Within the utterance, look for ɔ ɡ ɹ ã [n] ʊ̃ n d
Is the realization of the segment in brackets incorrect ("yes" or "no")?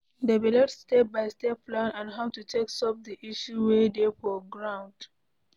yes